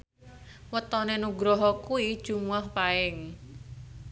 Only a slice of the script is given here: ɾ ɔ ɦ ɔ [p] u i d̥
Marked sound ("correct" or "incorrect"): incorrect